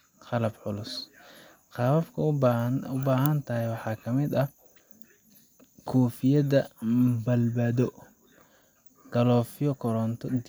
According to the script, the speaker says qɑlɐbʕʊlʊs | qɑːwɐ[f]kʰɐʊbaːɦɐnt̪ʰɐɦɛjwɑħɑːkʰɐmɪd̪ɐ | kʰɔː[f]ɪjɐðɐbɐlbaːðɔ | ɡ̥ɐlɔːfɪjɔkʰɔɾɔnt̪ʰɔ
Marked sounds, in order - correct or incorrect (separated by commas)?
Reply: correct, correct